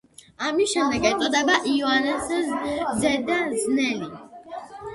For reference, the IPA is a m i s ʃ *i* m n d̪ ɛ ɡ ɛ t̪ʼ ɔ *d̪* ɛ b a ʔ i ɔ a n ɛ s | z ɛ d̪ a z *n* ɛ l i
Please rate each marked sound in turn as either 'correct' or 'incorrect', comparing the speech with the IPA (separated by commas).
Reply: incorrect, correct, correct